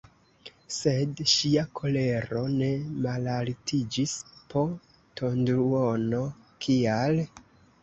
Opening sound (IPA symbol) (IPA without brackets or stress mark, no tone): s